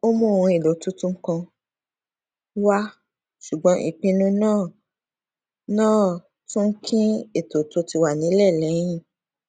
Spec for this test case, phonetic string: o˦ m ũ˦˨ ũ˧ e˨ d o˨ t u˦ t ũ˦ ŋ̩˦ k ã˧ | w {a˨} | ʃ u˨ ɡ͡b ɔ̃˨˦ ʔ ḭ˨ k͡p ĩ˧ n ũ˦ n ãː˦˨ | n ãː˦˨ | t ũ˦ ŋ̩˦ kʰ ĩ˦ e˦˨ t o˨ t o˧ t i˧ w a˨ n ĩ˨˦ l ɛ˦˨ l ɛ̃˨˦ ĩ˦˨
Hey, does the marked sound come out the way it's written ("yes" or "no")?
no